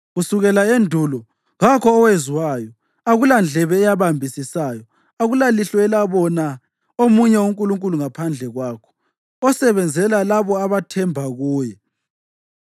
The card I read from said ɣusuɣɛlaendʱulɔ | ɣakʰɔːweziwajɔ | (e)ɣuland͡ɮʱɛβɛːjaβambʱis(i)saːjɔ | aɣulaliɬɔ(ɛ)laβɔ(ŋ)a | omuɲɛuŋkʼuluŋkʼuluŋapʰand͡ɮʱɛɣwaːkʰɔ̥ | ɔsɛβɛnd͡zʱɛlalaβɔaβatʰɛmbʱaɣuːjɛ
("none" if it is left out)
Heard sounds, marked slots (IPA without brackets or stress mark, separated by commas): a, i, ɛ, n